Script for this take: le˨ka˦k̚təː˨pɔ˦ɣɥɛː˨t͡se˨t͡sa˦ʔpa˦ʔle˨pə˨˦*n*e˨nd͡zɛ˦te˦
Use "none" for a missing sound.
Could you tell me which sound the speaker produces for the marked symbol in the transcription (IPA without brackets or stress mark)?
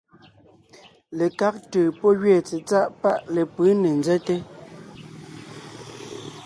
n